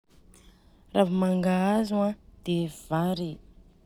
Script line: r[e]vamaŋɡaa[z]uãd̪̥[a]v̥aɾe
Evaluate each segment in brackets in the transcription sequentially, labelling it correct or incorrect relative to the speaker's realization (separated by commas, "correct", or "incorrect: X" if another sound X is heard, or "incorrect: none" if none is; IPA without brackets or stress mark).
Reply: incorrect: a, correct, incorrect: e